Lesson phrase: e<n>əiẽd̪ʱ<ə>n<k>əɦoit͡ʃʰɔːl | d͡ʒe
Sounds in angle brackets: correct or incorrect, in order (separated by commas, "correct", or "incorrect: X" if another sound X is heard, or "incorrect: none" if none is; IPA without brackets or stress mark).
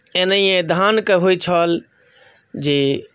correct, incorrect: a, correct